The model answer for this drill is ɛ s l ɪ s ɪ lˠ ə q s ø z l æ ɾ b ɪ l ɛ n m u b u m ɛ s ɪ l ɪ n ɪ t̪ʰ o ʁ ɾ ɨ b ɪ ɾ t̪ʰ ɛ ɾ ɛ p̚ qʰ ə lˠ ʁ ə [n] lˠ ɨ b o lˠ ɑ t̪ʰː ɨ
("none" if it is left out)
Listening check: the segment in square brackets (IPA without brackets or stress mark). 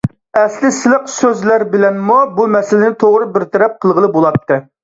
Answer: none